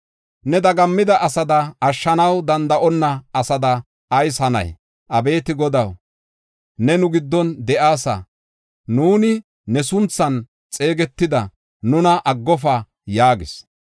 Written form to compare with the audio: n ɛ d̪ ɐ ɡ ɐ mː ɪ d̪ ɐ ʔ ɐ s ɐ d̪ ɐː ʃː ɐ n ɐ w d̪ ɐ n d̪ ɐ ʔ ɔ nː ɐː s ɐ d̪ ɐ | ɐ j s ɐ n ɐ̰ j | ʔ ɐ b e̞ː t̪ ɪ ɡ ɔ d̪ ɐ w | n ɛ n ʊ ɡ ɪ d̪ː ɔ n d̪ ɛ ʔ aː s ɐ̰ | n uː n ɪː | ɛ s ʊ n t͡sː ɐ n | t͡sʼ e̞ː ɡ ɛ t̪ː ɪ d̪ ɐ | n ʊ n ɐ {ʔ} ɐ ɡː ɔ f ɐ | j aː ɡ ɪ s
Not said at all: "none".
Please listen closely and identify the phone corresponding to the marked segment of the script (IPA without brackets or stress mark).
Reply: ʔ